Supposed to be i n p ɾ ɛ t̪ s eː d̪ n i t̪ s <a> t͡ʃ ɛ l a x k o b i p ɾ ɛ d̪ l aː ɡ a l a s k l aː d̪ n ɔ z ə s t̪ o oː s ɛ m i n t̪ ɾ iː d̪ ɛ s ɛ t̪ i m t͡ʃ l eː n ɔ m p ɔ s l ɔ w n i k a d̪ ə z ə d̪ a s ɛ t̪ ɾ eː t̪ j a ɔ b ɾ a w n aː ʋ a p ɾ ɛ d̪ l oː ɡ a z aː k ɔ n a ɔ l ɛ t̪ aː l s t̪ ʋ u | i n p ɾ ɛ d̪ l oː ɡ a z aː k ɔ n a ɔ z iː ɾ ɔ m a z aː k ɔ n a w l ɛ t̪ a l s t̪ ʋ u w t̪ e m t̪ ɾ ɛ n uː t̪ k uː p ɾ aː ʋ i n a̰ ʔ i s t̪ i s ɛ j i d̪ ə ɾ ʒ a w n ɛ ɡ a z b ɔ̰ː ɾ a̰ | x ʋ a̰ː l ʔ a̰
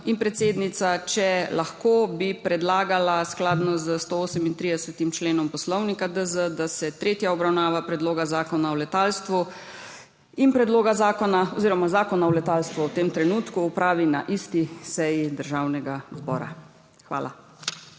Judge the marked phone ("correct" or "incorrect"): correct